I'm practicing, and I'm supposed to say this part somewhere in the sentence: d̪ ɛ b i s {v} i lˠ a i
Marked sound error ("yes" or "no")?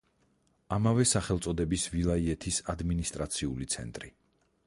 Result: no